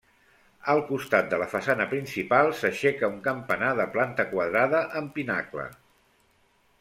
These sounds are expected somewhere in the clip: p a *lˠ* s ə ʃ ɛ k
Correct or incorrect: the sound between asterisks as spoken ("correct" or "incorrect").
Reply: correct